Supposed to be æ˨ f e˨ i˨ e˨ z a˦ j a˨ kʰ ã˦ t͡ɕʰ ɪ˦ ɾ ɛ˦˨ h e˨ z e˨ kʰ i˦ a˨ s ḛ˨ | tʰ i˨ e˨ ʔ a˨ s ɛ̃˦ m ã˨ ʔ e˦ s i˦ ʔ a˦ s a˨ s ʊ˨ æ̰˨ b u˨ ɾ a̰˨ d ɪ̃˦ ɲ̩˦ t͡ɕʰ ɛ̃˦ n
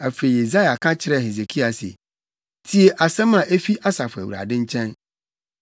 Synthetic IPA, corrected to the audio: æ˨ f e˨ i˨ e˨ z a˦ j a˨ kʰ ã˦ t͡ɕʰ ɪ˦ ɾ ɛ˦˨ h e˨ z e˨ kʰ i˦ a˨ s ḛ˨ | tʰ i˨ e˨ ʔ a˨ s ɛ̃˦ m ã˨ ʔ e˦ f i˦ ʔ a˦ s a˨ f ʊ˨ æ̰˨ w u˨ ɾ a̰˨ d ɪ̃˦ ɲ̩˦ t͡ɕʰ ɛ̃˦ n